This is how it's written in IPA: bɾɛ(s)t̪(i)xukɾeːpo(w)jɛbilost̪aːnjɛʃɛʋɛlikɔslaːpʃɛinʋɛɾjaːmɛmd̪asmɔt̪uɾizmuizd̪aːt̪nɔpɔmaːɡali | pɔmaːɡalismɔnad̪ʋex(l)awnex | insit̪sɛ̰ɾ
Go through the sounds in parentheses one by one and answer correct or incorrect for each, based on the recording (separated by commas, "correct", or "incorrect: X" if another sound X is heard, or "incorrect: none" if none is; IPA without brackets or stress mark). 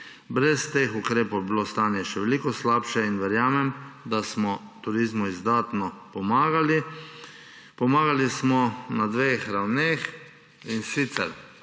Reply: correct, incorrect: e, correct, incorrect: ɾ